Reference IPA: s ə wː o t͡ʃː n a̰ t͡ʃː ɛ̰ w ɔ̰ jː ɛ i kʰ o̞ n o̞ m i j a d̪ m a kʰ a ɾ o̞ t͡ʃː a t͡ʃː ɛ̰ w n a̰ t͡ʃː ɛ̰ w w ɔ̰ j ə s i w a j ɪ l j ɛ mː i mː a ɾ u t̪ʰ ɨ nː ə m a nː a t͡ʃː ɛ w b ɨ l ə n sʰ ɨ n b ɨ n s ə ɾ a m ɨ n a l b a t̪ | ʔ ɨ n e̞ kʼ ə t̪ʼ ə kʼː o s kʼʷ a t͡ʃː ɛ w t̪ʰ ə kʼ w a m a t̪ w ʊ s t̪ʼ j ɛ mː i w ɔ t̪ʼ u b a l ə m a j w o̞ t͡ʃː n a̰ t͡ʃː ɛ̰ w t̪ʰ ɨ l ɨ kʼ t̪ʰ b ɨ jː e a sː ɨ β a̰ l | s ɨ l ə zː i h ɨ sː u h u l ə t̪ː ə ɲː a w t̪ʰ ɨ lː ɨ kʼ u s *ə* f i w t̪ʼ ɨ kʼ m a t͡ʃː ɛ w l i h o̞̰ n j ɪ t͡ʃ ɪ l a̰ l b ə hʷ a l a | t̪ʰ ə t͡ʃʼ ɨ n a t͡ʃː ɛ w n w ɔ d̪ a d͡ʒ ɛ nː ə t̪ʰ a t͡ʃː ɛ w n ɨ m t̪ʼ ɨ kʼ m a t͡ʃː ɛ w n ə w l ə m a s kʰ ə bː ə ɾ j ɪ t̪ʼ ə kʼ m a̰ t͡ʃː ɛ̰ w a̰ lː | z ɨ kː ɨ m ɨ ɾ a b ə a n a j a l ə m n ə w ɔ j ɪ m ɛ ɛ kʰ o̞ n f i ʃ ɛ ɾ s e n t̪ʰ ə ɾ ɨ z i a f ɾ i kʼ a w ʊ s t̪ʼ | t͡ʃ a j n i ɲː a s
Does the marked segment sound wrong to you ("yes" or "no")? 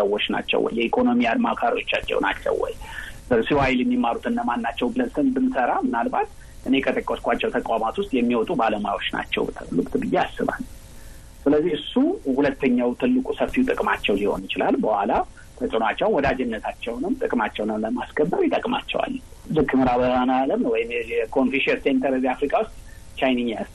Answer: no